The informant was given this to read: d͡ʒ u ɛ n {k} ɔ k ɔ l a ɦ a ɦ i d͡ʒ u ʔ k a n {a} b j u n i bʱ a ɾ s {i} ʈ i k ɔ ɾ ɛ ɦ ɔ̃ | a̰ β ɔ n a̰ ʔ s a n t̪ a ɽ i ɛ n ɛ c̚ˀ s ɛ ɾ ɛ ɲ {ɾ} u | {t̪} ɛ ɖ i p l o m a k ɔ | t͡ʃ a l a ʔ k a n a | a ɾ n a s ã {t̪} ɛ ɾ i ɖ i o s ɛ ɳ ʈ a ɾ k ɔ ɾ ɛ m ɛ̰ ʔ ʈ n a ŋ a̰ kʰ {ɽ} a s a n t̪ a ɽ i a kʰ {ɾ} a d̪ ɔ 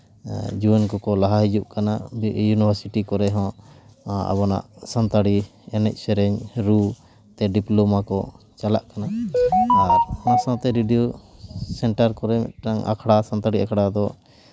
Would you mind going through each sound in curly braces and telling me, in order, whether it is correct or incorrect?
correct, correct, correct, correct, correct, correct, correct, incorrect: ɽ

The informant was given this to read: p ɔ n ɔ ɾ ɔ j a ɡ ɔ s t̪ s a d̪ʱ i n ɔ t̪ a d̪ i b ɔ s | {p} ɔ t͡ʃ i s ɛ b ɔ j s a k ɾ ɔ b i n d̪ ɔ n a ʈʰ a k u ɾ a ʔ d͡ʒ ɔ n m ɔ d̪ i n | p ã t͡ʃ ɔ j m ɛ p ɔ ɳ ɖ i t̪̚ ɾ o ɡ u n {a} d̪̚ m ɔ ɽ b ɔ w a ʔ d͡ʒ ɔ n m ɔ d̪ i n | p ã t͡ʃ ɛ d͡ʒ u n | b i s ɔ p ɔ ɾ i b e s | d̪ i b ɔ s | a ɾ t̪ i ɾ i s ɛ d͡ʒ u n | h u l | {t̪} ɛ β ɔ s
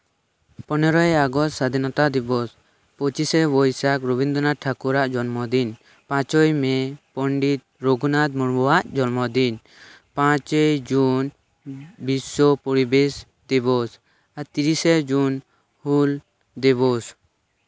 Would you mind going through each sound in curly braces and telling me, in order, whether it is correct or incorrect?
correct, correct, incorrect: d̪

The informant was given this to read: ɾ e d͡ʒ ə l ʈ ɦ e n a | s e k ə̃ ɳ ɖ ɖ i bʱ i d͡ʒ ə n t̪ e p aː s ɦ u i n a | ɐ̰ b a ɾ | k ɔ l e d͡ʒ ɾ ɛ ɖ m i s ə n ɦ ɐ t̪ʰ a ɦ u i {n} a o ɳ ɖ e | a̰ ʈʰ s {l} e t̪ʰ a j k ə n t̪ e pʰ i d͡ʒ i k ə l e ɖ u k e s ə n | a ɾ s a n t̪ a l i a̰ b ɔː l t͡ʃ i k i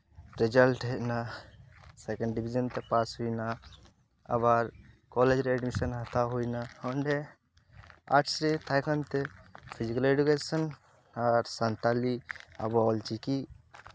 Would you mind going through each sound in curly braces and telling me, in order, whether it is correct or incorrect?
correct, incorrect: ɾ

